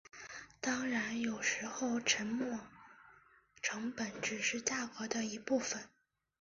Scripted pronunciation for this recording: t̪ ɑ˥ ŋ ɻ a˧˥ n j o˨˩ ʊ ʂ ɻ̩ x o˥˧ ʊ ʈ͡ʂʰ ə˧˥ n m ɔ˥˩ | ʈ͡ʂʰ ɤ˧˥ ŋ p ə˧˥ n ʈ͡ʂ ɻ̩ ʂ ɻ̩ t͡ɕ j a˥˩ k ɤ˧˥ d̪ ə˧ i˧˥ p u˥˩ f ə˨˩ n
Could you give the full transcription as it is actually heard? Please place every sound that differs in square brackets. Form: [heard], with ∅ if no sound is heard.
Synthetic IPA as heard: t̪ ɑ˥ ŋ ɻ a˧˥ n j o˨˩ ʊ ʂ ɻ̩ x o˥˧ ʊ ʈ͡ʂʰ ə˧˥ n m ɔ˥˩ | ʈ͡ʂʰ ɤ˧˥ ŋ p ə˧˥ n ʈ͡ʂ ɻ̩ ʂ ɻ̩ t͡ɕ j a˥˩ k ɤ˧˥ d̪ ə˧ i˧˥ p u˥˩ f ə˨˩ n